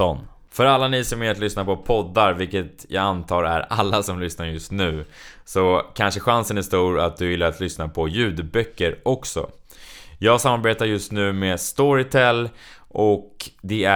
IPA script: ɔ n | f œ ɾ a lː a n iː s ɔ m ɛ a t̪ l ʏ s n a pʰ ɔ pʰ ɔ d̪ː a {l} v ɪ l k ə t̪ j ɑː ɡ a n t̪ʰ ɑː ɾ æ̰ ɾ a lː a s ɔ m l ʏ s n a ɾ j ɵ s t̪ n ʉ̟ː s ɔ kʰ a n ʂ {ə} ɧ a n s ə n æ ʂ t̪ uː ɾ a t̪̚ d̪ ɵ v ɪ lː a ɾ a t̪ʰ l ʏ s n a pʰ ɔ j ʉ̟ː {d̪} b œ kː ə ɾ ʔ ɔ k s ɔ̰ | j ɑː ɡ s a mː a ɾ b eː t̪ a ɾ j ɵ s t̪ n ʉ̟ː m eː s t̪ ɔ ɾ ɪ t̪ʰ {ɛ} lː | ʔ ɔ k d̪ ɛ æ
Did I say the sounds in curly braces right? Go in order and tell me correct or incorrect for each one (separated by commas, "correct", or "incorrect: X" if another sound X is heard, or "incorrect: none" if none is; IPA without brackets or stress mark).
incorrect: ɾ, correct, correct, correct